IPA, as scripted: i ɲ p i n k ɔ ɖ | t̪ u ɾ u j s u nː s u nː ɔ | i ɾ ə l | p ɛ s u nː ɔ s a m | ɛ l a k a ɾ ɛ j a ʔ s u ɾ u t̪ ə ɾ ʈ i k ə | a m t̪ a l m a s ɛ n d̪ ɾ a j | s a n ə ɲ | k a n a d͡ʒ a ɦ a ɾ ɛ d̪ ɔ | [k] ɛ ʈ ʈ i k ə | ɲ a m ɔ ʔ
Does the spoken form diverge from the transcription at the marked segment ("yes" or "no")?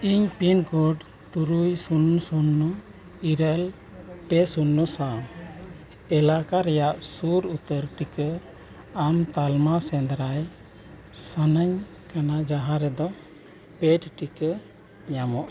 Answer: yes